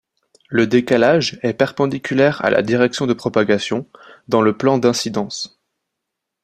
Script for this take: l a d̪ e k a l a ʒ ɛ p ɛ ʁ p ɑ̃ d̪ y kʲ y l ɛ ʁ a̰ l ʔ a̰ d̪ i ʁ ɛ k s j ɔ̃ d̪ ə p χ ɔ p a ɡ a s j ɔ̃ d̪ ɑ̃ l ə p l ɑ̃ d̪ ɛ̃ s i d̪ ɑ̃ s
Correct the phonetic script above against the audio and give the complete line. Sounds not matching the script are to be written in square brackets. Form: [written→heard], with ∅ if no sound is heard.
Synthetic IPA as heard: l [a→ə] d̪ e k a l a ʒ ɛ p ɛ ʁ p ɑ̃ d̪ [y→i] kʲ y l ɛ ʁ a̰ l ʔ a̰ d̪ i ʁ ɛ k s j ɔ̃ d̪ ə p χ ɔ p a ɡ a s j ɔ̃ d̪ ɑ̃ l ə p l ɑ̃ d̪ ɛ̃ s i d̪ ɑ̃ s